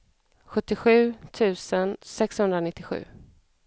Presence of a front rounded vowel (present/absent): absent